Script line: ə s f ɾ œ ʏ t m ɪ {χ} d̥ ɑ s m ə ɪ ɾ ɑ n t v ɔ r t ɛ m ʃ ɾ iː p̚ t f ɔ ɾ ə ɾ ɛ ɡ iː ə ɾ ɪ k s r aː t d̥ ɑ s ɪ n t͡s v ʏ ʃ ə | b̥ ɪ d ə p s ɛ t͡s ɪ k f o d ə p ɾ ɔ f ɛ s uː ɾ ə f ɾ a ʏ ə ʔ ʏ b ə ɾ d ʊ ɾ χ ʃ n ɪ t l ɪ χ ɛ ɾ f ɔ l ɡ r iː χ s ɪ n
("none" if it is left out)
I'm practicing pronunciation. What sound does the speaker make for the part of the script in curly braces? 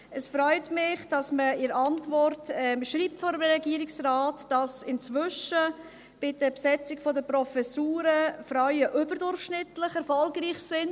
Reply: χ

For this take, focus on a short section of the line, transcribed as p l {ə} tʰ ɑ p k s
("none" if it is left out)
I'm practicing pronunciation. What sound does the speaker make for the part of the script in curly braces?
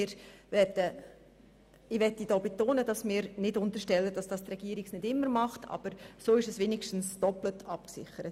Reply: ə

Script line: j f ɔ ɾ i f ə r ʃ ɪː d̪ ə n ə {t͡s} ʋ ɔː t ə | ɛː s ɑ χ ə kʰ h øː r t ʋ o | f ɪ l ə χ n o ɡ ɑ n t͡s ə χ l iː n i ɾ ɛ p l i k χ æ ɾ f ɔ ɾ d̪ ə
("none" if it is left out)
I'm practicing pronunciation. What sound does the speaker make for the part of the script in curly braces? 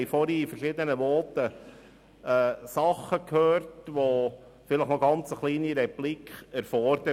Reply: none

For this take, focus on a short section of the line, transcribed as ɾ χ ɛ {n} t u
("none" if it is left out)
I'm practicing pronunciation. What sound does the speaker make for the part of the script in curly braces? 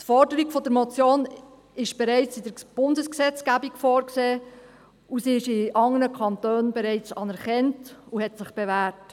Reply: n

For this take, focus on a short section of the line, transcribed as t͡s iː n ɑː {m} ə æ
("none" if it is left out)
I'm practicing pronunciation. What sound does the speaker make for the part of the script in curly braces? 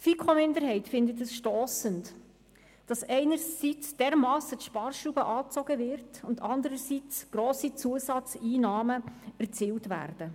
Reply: m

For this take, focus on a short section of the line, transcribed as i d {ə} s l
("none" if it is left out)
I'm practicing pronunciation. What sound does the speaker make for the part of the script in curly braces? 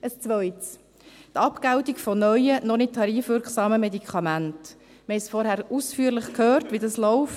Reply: ɑ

